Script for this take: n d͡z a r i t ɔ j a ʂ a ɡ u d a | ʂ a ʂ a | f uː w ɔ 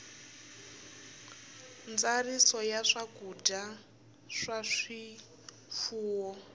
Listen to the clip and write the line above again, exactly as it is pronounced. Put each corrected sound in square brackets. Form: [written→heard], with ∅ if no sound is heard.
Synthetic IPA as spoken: n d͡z a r i [t→s] ɔ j a ʂ a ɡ u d a | ʂ a ʂ [a→i] | f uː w ɔ

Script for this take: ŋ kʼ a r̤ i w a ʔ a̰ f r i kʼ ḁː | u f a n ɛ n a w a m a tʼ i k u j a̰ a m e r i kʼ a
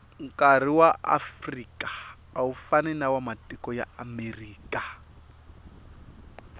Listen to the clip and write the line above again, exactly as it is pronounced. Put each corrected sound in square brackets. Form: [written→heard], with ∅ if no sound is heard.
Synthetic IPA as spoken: ŋ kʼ a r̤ i w a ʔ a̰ f r i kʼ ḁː | u f a n ɛ n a w a m a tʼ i k [u→ɔ] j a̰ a m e r [i→iː] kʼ a

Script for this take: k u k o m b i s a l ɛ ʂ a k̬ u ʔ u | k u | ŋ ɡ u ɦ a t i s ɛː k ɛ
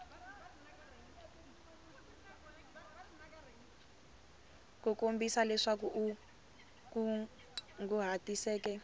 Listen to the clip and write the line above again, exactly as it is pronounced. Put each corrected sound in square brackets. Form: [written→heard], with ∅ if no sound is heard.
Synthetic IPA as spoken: k u k o m b i s a l ɛ ʂ a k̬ u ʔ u | k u | ŋ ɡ u ɦ a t i s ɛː k ɛ

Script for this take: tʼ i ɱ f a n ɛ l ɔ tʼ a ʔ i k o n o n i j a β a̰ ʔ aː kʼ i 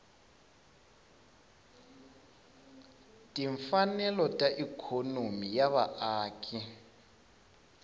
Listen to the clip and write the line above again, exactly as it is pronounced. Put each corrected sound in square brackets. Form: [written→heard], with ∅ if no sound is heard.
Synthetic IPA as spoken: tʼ i ɱ f a n ɛ l ɔ tʼ a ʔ i [k→kʰ] o n o [n→m] i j a β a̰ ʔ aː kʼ i

